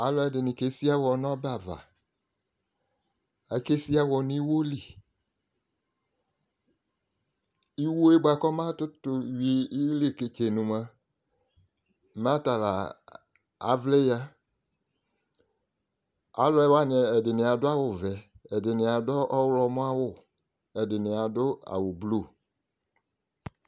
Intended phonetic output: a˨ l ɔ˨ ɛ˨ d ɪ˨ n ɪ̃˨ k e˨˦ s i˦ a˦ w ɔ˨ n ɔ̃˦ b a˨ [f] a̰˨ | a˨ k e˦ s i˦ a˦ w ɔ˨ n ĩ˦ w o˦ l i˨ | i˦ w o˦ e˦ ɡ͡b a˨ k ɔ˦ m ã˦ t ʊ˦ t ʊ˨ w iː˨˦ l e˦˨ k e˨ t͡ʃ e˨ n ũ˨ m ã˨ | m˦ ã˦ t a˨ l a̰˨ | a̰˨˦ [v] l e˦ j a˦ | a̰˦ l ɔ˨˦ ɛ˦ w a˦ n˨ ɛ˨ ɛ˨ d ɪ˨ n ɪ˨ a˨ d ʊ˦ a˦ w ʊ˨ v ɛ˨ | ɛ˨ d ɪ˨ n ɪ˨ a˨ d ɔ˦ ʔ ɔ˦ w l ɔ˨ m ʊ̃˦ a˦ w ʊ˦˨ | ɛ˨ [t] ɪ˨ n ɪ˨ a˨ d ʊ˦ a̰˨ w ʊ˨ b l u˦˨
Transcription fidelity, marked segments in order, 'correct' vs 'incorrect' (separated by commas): incorrect, correct, incorrect